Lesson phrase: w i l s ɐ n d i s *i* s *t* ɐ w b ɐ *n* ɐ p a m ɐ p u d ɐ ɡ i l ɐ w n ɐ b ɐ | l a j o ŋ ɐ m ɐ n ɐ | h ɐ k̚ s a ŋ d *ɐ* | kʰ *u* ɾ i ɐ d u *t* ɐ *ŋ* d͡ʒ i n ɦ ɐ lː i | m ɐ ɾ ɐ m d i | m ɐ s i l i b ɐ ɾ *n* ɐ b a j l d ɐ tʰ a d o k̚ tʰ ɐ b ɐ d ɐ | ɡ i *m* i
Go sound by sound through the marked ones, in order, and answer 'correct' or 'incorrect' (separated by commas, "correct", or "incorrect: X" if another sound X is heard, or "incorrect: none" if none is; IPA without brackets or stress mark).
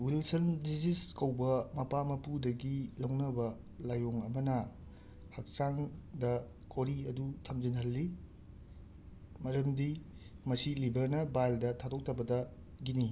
correct, incorrect: k, incorrect: m, correct, incorrect: o, incorrect: tʰ, incorrect: m, correct, incorrect: n